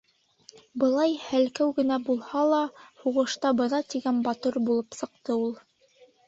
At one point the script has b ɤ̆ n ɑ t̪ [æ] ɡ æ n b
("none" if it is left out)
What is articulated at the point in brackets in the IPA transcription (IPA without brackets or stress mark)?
i